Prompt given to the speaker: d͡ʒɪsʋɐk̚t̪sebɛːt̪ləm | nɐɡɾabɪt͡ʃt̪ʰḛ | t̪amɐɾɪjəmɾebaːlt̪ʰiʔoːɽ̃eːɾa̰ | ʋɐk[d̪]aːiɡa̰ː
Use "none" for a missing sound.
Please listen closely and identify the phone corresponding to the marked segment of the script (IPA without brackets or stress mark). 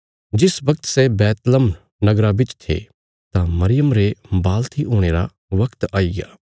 t̪